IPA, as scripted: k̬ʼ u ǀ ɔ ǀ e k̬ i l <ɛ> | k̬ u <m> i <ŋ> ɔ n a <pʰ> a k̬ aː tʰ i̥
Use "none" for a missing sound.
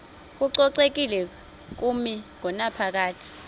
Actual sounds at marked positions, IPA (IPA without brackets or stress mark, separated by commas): ɛ, m, ŋ, pʰ